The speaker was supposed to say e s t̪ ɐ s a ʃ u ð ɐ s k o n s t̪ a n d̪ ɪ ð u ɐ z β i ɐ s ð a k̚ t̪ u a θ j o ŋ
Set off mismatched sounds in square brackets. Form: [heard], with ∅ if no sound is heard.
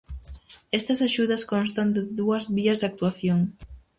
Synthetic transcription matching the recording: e s t̪ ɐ s a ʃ u ð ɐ s k o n s t̪ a n d̪ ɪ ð u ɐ z β i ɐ [z] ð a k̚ t̪ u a θ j o ŋ

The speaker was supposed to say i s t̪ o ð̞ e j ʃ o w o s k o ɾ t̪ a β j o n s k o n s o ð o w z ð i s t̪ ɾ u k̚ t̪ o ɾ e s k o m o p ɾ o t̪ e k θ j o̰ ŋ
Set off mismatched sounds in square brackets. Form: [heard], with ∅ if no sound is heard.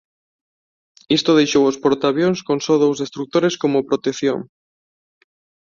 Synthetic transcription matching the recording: i s t̪ o ð̞ e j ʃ o w o s [p] o ɾ t̪ a β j o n s k o n s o ð o w z ð [e] s t̪ ɾ u k̚ t̪ o ɾ e s k o m o p ɾ o t̪ e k θ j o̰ ŋ

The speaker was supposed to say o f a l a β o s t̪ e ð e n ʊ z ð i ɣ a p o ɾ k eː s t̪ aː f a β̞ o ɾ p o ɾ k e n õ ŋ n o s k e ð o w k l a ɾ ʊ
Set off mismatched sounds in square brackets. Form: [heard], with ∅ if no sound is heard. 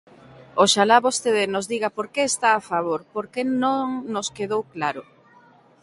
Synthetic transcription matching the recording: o [ʃ] a l a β o s t̪ e ð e n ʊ z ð i ɣ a p o ɾ k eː s t̪ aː f a β̞ o ɾ p o ɾ k e n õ ŋ n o s k e ð o w k l a ɾ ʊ

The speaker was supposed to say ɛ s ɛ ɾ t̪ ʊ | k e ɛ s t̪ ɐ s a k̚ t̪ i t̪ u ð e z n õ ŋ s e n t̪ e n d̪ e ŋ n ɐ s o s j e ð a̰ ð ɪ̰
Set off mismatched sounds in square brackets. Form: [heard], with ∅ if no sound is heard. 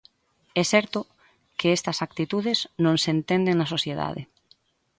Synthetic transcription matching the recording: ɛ s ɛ ɾ t̪ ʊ | k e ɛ s t̪ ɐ s a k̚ t̪ i t̪ u ð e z n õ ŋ s e n t̪ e n d̪ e ŋ n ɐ s o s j e ð a̰ ð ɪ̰

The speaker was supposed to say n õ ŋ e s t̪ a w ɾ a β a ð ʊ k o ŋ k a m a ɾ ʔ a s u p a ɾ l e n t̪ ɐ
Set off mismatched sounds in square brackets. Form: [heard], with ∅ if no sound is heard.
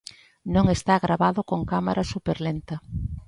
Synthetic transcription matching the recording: n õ ŋ e s t̪ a [ɣ] ɾ a β a ð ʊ k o ŋ k a m a ɾ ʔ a s u p [e] ɾ l e n t̪ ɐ

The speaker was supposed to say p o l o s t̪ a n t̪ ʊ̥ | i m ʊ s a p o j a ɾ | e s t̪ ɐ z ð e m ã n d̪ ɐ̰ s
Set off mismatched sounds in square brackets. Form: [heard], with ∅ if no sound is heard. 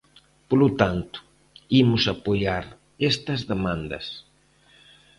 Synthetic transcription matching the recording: p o l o [∅] t̪ a n t̪ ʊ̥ | i m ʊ s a p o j a ɾ | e s t̪ ɐ z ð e m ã n d̪ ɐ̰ s

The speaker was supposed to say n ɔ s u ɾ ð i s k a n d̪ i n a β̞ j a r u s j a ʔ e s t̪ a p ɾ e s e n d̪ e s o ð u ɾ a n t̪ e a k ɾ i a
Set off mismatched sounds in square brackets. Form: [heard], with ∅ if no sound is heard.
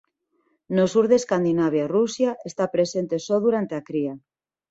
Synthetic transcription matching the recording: n [o] s u ɾ ð [e] s k a n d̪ i n a β̞ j a r u s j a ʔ e s t̪ a p ɾ e s e n [t̪] e s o ð u ɾ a n t̪ e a k ɾ i a

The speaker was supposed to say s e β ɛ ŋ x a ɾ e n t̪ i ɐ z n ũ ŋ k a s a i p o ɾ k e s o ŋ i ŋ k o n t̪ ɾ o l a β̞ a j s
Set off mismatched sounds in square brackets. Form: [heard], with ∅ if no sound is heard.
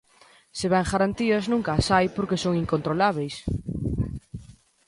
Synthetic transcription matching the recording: s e β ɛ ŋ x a ɾ [a] n t̪ i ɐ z n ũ ŋ k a s a [j] p o ɾ k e s o ŋ i ŋ k o n t̪ ɾ o l a β̞ [e] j s

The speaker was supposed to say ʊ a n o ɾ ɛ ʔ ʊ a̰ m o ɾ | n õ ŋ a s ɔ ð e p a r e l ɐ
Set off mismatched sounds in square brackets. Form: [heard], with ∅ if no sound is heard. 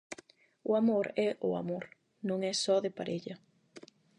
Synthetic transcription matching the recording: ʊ a [m] o ɾ ɛ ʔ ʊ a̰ m o ɾ | n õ ŋ [ɛ] s ɔ ð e p a [ɾ] e [ʎ] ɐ

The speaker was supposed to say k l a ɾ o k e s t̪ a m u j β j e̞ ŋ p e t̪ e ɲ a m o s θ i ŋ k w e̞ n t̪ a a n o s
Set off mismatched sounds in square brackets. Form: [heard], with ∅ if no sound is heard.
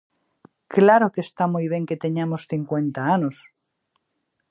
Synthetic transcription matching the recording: k l a ɾ o k e s t̪ a m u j β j e̞ ŋ [k] e t̪ e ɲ a m o s θ i ŋ k w e̞ n t̪ a a n o s

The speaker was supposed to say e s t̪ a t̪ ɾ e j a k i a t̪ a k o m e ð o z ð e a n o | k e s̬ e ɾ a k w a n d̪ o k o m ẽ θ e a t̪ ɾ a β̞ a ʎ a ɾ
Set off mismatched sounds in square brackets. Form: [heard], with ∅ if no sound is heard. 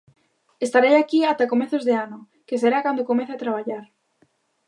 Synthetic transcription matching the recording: e s t̪ a [∅] ɾ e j a k i a t̪ a k o m e [θ] o z ð e a n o | k e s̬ e ɾ a k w a n d̪ o k o m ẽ θ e a t̪ ɾ a β̞ a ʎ a ɾ

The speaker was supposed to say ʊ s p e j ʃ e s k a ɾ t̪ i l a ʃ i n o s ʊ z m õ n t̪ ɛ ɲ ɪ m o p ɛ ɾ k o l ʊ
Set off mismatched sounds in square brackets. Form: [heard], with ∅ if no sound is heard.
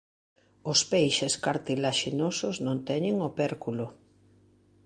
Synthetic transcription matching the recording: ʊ s p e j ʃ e s k a ɾ t̪ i l a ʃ i n o s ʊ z [n] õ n t̪ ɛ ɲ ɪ [ŋ] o p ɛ ɾ k [u] l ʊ

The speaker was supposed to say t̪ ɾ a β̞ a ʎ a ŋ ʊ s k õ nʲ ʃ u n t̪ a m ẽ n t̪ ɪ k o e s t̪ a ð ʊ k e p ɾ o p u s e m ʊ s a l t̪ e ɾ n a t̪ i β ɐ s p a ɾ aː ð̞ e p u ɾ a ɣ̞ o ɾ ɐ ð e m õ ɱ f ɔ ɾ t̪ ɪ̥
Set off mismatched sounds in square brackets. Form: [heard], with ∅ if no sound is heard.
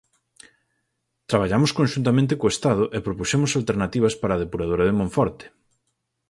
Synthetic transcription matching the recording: t̪ ɾ a β̞ a ʎ a [m] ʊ s k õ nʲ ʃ u n t̪ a m ẽ n t̪ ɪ k o e s t̪ a ð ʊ [ʔ] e p ɾ o p u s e m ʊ s a l t̪ e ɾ n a t̪ i β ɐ s p a ɾ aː ð̞ e p u ɾ a [ð̞] o ɾ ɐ ð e m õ ɱ f ɔ ɾ t̪ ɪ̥

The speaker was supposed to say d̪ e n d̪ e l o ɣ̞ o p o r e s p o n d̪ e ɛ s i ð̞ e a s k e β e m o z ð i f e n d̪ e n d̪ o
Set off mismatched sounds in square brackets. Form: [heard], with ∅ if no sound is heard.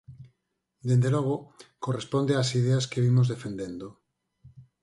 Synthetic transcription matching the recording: d̪ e n d̪ e l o ɣ̞ o [k] o r e s p o n d̪ e [a] s i ð̞ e a s k e β [i] m o z ð [e] f e n d̪ e n d̪ o

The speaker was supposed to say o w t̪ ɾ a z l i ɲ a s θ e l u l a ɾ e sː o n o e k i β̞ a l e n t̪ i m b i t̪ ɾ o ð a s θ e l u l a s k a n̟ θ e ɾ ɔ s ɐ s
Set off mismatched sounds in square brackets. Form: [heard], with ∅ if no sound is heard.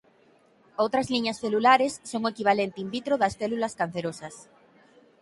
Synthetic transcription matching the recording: o w t̪ ɾ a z l i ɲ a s θ e l u l a ɾ e sː o [ŋ] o e k i β̞ a l e n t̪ i m b i t̪ ɾ o ð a s θ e l u l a s k a n̟ θ e ɾ [o] s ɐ s

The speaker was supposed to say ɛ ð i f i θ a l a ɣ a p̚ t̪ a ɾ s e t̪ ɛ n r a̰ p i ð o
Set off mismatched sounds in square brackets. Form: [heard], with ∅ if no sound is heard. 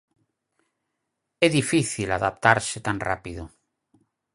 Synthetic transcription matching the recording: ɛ ð i f i θ [i] l a [ð] a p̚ t̪ a ɾ s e t̪ [a] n r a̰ p i ð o

